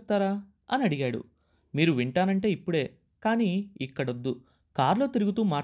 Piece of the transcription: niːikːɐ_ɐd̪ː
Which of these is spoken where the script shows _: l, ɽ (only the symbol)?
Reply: ɽ